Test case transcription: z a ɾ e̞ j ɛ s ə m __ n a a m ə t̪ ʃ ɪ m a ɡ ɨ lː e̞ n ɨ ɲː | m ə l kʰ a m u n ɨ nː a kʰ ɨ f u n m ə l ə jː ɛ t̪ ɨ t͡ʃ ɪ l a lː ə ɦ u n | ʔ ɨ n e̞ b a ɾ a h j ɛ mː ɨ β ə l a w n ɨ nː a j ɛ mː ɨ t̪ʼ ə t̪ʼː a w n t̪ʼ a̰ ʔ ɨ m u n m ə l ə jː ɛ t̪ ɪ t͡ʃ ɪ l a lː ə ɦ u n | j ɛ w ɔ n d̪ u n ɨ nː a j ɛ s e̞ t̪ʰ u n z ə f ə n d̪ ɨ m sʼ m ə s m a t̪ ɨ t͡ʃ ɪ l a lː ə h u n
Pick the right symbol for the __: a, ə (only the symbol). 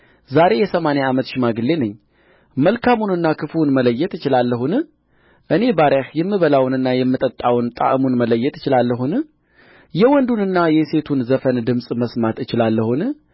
a